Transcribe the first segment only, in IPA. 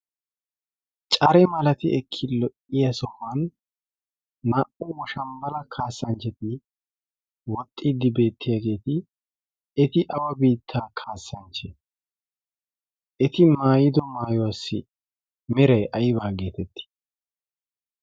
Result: t͡ʃʼ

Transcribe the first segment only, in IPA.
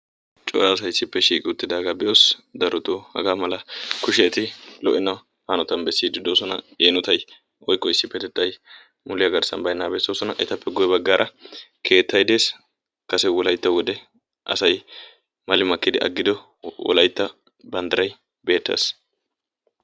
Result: t͡ʃʼ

